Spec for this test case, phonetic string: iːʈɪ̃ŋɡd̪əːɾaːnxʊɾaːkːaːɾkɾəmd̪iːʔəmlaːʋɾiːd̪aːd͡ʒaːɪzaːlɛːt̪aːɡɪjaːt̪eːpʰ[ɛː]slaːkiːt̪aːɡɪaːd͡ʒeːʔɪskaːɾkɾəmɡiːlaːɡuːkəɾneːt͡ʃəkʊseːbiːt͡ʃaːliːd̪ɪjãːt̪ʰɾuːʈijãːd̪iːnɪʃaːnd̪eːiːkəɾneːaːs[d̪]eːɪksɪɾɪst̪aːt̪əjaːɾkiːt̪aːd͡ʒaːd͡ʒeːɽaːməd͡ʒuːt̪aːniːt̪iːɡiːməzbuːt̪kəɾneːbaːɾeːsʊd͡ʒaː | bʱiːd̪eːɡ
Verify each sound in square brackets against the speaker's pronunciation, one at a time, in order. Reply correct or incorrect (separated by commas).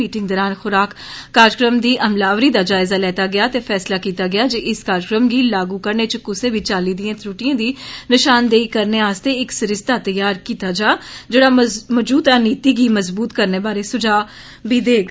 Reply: correct, incorrect